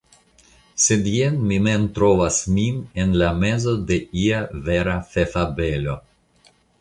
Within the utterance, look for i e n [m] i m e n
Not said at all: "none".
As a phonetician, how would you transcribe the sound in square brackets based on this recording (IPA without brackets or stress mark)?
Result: m